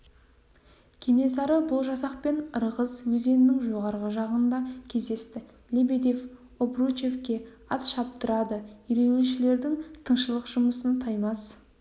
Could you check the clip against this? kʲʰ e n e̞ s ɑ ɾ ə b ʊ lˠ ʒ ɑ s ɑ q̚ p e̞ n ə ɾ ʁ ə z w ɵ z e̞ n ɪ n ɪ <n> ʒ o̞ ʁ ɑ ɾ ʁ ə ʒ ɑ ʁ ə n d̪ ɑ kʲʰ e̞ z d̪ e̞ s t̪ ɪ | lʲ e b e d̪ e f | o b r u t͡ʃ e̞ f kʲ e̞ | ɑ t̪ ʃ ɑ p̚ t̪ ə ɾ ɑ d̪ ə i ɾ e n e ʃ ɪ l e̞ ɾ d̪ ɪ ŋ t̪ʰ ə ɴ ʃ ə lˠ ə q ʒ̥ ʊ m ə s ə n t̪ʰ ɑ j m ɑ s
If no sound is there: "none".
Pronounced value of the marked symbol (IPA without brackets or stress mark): ŋ